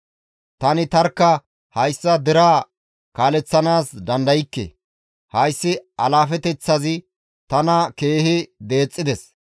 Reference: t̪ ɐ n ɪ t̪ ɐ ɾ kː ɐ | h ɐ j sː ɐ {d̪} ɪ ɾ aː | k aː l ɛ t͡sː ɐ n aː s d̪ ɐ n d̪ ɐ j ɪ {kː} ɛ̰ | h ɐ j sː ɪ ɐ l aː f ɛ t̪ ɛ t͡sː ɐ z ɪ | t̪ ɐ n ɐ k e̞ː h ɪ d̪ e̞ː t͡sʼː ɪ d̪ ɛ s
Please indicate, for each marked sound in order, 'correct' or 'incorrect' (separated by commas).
correct, correct